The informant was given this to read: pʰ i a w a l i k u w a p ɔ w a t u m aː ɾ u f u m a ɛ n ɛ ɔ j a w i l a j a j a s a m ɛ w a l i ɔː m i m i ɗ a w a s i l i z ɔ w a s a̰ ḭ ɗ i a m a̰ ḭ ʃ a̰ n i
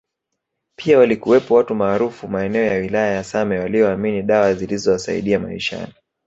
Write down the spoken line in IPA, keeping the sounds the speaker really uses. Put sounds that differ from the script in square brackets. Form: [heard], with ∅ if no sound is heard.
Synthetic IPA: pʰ i a w a l i k u w [ɛ] p ɔ w a t u m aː ɾ u f u m a ɛ n ɛ ɔ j a w i l a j a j a s a m ɛ w a l i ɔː m i [n] i ɗ a w a [z] i l i z ɔ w a s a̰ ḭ ɗ i a m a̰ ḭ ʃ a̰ n i